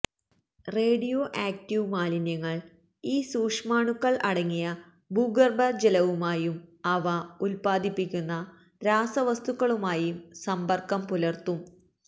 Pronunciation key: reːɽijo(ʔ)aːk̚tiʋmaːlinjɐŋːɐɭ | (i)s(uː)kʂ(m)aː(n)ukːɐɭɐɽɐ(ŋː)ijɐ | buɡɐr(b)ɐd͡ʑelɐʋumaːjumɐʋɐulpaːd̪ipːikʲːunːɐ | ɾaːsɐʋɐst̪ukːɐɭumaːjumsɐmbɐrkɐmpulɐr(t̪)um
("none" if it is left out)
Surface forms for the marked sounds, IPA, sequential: ʔ, iː, uː, m, ɳ, ŋː, b, t̪

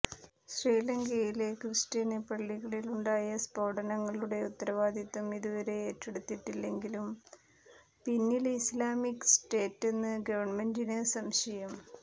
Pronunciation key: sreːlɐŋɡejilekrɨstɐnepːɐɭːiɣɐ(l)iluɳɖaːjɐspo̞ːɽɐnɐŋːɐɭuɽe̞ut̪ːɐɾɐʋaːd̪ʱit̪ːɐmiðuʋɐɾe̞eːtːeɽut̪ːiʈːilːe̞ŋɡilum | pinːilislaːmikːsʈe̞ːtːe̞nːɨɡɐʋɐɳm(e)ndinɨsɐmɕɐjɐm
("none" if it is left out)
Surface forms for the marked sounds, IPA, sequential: ɭ, e

